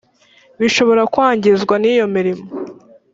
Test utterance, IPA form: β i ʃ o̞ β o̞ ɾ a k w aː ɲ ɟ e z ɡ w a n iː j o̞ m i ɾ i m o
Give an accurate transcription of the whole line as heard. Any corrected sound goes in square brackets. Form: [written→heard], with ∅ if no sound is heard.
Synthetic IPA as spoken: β i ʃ o̞ β o̞ ɾ a k w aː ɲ ɟ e z ɡ w a n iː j o̞ m i ɾ i m o